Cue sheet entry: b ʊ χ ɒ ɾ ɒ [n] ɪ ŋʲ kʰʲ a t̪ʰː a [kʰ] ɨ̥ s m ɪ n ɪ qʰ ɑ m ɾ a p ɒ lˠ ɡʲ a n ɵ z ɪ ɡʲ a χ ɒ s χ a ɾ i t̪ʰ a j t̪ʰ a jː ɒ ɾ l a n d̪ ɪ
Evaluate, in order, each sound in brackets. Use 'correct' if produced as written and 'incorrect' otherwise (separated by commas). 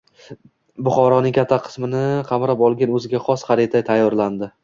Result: correct, incorrect